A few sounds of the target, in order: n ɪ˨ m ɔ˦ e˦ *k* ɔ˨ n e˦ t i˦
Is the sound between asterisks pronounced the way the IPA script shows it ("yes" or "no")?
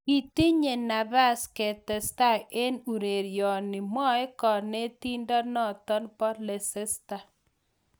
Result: yes